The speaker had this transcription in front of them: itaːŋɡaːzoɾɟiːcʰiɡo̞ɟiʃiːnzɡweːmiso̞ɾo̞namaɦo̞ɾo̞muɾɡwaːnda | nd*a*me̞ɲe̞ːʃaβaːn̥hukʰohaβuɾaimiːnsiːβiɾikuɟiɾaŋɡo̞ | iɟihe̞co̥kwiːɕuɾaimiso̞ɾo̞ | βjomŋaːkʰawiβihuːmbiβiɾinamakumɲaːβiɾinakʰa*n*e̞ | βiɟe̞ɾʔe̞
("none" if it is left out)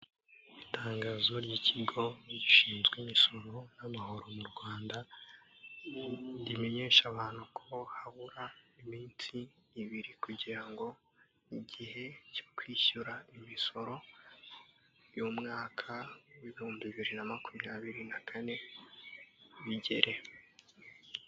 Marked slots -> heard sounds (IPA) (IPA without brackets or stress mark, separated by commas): i, n